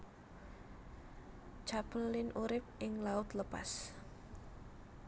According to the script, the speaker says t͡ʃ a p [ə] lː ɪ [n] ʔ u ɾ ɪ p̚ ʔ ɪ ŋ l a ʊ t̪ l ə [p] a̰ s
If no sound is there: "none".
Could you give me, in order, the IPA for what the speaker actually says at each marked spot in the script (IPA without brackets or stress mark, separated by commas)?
ə, n, p